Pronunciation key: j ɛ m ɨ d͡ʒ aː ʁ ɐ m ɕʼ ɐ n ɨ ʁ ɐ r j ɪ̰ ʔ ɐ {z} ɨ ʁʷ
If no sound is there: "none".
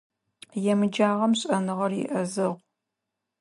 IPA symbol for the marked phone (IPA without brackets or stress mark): z